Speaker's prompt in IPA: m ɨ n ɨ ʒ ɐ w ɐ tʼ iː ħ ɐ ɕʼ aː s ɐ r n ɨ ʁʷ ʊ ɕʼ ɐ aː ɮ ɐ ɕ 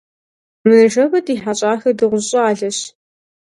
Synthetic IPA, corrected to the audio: m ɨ n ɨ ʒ ɐ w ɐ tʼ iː ħ a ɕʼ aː x ɐ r d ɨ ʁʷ ʊ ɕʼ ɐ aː ɮ ɐ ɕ